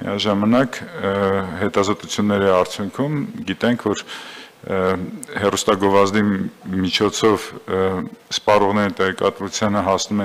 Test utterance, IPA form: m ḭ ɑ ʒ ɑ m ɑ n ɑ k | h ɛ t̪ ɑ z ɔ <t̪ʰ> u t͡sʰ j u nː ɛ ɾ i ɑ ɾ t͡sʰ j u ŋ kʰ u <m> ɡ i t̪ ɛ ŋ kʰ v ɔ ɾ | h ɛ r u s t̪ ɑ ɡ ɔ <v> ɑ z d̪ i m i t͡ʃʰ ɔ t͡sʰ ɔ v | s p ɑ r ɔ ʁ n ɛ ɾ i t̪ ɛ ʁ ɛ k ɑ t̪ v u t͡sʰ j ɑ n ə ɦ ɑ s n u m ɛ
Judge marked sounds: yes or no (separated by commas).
no, yes, yes